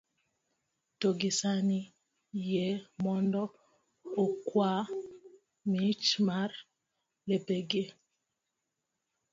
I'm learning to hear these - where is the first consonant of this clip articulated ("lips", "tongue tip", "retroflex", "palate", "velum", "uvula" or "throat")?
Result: tongue tip